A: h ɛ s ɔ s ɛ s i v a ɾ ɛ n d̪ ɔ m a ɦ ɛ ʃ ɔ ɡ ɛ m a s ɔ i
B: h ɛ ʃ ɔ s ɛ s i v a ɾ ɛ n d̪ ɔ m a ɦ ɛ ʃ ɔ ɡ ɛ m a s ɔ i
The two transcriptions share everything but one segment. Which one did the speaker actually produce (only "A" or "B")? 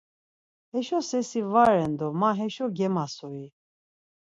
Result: B